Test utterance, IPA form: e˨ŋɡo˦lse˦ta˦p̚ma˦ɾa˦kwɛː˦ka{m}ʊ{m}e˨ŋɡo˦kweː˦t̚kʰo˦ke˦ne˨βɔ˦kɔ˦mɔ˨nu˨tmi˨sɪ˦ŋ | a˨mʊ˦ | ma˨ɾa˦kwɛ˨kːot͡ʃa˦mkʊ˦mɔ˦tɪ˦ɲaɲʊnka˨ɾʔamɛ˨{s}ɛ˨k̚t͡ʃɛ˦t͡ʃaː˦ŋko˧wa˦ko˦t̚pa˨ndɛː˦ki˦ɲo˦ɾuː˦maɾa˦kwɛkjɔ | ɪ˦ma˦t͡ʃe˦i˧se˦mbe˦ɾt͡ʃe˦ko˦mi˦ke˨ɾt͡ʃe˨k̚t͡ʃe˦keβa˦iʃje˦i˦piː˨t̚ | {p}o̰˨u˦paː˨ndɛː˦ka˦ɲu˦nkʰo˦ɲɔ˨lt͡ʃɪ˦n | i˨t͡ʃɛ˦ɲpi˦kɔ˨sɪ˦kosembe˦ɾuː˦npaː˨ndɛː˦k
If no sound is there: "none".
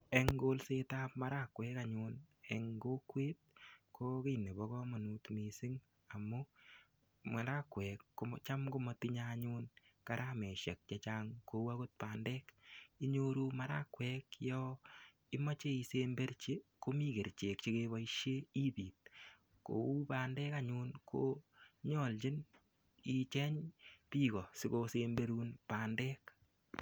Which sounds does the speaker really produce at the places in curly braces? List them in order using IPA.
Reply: ɲ, n, ʃ, k

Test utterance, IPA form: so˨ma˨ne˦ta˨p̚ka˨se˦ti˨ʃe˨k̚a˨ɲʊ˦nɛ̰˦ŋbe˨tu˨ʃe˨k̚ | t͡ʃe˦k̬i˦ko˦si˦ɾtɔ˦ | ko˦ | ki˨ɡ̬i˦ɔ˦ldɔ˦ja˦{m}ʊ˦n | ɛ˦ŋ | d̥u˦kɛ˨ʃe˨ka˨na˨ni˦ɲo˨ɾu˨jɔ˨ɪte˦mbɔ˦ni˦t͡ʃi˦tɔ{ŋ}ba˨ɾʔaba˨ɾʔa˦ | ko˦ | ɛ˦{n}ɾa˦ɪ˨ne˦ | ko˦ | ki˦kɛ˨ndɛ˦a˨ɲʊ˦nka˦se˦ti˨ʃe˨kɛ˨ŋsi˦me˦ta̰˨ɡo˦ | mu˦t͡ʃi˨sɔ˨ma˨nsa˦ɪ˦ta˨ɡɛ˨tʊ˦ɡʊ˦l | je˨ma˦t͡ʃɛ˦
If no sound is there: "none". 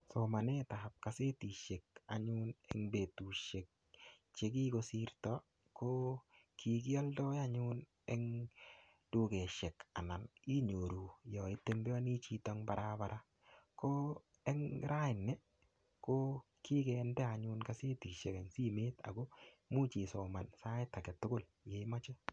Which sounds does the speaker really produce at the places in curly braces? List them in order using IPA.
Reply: ɲ, ŋ, ŋ

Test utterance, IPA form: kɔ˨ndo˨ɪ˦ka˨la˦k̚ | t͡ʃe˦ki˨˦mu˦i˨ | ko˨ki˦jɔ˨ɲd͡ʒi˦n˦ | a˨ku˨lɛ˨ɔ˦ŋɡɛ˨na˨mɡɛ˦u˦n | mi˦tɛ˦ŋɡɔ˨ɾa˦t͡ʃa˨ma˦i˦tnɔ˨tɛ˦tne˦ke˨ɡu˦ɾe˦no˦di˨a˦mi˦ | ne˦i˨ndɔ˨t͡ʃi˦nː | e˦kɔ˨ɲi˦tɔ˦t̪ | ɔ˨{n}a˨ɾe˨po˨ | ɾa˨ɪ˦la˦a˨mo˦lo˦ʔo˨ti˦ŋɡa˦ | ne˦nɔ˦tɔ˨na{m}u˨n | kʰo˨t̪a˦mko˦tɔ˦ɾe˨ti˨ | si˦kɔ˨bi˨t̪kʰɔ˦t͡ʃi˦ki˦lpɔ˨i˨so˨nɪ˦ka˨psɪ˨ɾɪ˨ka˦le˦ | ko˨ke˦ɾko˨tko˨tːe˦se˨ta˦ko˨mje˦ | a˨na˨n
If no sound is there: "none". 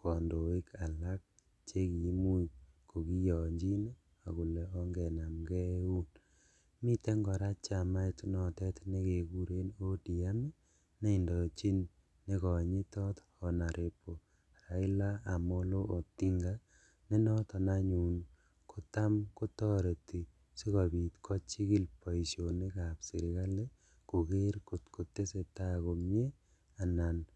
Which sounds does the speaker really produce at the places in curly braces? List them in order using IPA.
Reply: n, ɲ

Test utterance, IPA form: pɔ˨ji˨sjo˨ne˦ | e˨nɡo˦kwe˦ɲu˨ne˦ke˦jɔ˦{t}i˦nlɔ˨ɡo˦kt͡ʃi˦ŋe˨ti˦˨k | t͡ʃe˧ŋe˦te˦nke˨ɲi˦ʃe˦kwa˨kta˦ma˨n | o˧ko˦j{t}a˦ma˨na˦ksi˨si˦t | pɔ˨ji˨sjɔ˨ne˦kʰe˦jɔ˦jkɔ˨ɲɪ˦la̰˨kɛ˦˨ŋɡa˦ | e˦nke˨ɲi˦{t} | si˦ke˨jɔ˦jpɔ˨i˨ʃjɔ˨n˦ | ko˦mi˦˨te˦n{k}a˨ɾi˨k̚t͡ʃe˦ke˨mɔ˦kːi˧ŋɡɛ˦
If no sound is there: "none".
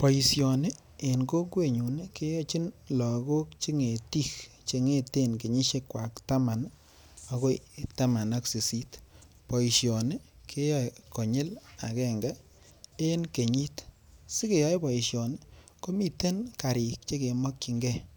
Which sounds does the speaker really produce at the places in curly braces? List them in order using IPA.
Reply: t͡ʃ, t, t, k

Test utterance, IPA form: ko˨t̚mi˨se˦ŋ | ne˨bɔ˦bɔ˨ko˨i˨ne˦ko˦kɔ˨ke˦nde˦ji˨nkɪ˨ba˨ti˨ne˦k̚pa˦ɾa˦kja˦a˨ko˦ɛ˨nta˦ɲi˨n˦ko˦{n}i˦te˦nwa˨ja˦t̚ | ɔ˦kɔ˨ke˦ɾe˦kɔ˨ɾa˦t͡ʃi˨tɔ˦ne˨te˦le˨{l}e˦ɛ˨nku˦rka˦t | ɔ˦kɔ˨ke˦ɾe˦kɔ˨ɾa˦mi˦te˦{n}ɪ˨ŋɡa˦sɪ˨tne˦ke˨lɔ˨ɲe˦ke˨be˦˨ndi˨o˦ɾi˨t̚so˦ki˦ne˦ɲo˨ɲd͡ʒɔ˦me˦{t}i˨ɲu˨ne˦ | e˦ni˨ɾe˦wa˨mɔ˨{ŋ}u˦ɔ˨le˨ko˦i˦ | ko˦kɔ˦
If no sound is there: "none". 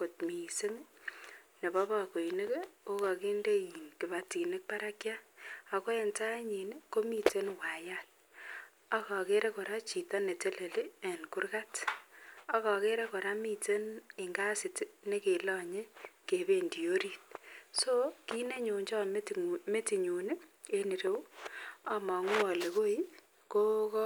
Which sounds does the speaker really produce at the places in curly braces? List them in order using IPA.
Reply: m, l, n, t, ŋ

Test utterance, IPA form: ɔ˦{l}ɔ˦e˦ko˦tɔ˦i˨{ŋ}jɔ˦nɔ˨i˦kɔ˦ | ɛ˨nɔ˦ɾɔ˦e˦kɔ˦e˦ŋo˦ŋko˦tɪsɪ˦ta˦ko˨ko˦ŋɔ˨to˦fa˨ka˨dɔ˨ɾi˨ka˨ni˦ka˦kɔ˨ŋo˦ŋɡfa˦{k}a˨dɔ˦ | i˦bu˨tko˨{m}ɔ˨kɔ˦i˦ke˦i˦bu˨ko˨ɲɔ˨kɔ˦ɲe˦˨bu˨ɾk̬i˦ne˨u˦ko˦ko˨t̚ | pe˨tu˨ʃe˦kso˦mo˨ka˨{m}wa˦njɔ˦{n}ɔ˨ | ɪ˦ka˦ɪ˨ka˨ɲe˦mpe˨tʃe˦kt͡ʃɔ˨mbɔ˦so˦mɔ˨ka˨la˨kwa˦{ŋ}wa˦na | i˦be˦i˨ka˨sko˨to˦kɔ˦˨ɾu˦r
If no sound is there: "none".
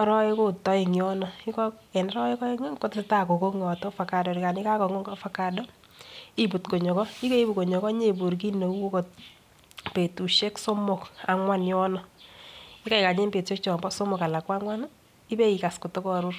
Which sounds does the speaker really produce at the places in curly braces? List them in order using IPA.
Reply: ɾ, ŋ, k, ɲ, ŋ, n, ŋ

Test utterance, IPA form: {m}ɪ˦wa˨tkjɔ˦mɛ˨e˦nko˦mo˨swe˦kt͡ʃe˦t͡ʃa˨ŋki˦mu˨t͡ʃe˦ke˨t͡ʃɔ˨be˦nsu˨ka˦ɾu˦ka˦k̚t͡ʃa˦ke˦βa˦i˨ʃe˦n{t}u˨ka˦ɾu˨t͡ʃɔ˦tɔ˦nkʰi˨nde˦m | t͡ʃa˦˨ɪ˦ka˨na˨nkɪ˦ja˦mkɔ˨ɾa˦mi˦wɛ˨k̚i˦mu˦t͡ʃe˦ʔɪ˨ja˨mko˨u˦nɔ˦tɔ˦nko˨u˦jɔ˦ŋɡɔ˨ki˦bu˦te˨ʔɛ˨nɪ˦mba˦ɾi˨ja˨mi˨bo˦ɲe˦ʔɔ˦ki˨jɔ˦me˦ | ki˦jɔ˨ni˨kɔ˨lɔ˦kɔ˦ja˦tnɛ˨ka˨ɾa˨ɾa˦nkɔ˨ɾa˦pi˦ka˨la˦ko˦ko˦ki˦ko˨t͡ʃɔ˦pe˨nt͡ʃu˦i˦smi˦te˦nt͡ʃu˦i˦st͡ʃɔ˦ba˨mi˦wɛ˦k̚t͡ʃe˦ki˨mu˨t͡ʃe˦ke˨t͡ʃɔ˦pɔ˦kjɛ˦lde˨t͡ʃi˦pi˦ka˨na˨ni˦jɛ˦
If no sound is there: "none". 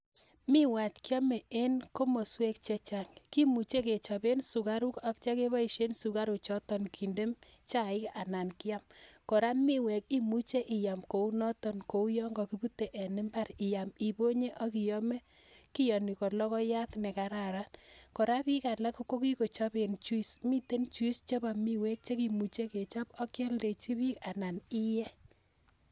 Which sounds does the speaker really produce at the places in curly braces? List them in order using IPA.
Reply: m, s

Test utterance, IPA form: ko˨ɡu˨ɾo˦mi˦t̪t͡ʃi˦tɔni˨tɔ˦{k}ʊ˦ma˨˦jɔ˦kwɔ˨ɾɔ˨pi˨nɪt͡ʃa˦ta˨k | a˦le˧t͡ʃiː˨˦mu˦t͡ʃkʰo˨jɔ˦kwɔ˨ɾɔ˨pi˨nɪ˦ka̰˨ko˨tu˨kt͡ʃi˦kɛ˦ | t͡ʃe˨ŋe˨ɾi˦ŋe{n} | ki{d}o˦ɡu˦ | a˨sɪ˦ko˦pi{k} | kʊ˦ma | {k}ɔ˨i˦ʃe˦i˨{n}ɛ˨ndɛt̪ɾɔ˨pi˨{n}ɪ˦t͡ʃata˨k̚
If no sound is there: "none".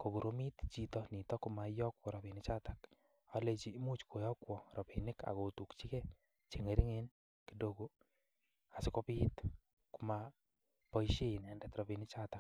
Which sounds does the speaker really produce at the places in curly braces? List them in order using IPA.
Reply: k, n, d, t, p, n, n

